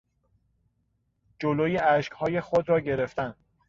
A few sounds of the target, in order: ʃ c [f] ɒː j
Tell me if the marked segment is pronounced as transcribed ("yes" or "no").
no